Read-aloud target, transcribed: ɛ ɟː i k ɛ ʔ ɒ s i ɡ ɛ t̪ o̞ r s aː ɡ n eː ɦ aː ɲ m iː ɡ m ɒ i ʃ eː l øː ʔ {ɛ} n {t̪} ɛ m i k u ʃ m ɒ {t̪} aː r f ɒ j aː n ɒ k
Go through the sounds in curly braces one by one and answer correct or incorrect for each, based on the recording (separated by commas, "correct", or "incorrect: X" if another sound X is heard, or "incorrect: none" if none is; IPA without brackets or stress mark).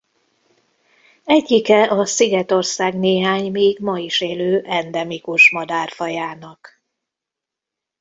correct, incorrect: d̪, incorrect: d̪